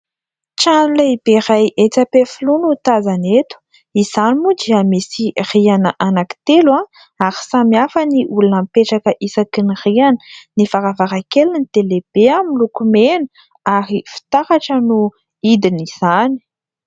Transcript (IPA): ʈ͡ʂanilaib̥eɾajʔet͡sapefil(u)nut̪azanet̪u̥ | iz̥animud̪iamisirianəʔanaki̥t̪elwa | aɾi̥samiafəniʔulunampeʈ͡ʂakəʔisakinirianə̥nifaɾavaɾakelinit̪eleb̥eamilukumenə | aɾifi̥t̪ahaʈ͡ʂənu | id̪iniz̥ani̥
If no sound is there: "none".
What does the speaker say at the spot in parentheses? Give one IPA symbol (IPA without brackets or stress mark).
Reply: u